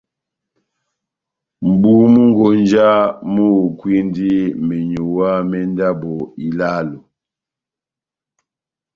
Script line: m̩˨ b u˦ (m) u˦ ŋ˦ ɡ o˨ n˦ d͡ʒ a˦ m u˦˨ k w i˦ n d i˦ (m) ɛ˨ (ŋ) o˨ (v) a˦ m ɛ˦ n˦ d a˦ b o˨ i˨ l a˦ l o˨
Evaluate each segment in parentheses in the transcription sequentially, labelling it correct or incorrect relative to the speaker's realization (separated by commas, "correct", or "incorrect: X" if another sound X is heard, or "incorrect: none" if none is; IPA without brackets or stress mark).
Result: correct, correct, incorrect: ɲ, incorrect: w